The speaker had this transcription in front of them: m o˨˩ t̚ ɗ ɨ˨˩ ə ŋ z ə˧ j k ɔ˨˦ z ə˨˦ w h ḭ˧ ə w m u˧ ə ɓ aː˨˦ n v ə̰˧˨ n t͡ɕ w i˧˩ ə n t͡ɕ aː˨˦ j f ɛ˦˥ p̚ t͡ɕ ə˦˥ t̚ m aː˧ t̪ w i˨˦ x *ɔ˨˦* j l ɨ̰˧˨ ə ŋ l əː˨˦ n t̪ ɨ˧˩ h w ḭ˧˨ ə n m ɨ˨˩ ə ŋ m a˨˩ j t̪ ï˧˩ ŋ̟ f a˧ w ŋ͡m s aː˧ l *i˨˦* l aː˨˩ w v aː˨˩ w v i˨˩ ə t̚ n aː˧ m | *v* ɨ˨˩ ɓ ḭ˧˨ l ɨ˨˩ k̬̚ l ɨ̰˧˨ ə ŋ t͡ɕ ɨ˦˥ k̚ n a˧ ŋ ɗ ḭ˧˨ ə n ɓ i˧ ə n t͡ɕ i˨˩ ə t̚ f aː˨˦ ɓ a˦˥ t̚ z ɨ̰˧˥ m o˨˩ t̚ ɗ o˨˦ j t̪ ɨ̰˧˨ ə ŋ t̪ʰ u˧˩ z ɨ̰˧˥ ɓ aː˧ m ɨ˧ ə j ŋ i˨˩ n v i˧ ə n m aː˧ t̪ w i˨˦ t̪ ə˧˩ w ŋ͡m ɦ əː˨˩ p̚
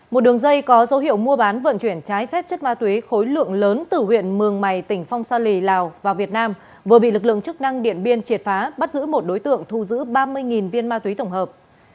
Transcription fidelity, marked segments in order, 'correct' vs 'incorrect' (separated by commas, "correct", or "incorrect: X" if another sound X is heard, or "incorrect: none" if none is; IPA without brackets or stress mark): incorrect: o˨˦, incorrect: i˨˩, correct